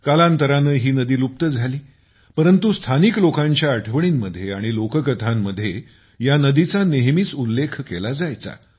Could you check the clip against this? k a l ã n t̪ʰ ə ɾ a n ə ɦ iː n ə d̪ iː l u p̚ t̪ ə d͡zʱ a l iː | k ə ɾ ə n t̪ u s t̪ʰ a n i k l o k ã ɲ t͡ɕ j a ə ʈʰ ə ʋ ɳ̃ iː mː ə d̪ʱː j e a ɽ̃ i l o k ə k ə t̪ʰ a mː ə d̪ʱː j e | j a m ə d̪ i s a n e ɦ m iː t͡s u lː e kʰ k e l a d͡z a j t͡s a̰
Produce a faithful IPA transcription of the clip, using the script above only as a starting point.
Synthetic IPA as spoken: k a l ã n t̪ ə ɾ a n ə ɦ iː n ə d̪ iː l u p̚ t̪ ə d͡zʱ a l iː | p ə ɾ ə n t̪ u s t̪ʰ a n i k l o k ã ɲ t͡ɕ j a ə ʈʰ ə ʋ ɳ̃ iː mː ə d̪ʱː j e a ɽ̃ i l o k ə k ə t̪ʰ a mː ə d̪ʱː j e | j a n ə d̪ i t͡s a n e ɦ m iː t͡s u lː e kʰ k e l a d͡z a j t͡s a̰